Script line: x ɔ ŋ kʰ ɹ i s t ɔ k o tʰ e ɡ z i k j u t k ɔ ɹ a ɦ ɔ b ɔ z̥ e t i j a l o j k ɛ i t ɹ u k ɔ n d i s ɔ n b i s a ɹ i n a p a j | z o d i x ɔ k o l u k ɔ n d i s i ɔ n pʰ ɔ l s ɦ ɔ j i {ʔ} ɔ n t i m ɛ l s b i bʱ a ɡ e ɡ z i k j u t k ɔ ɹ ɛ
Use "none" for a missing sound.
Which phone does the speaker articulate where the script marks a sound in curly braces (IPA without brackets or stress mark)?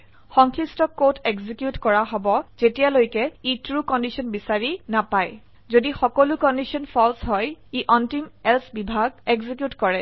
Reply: ʔ